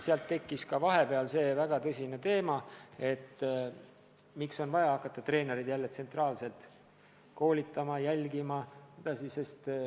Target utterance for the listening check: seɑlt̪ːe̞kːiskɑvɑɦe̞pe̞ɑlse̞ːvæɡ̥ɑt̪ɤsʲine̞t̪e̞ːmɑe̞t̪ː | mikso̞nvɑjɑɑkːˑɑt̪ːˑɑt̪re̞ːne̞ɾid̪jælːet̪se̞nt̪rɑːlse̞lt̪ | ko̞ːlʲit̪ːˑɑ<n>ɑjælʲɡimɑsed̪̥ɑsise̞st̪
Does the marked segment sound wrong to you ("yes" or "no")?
yes